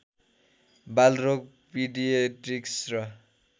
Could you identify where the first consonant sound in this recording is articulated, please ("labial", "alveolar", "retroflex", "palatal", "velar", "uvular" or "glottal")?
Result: labial